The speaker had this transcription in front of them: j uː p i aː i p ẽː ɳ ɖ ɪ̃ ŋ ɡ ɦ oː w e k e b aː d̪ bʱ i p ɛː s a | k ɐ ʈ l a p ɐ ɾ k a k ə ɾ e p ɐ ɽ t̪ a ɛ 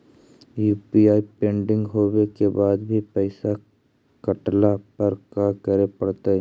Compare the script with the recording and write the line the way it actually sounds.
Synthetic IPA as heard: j uː p i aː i p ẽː ɳ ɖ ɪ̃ ŋ ɡ ɦ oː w e k e b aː d̪ bʱ i p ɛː s a | k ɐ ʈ l a p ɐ ɾ k a k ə ɾ e p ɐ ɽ t̪ a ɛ